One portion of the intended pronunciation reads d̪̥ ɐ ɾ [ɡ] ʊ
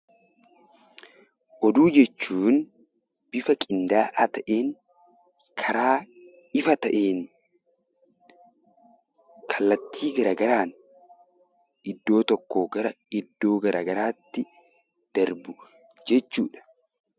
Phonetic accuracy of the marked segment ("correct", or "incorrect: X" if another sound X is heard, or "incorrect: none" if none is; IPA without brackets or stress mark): incorrect: b